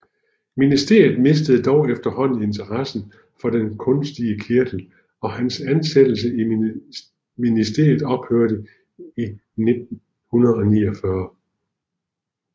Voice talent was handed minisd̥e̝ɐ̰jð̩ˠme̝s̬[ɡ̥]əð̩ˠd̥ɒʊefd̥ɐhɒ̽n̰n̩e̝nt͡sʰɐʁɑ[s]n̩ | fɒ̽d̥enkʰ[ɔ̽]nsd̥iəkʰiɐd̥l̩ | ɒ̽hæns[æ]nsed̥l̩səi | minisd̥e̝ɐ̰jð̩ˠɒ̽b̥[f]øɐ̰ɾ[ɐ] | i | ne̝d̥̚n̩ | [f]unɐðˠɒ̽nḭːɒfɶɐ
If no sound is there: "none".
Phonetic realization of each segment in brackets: d̥, s, ɔ̽, æ, h, ə, h

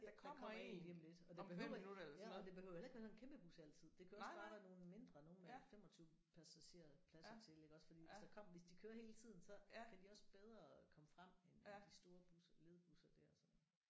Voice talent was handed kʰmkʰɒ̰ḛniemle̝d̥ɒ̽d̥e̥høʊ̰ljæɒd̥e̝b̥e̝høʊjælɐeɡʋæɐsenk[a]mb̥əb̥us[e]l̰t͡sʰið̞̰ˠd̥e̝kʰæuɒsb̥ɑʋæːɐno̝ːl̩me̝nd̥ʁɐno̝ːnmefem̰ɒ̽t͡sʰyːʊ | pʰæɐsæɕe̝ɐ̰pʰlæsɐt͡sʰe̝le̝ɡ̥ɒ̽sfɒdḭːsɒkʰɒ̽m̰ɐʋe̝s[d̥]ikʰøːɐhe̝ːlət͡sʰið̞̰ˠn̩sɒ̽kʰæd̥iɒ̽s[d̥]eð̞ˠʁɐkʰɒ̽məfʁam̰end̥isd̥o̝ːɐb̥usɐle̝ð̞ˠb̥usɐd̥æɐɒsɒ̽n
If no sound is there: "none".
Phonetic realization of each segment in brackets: e, æ, d̥, b̥

